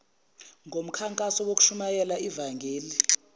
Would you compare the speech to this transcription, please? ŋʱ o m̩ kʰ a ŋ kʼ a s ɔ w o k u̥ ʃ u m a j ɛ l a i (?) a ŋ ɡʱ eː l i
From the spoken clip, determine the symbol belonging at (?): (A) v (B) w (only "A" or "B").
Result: A